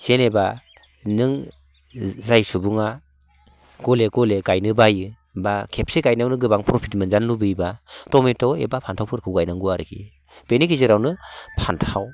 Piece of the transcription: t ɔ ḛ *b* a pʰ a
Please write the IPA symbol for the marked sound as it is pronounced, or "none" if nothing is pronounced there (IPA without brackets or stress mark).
b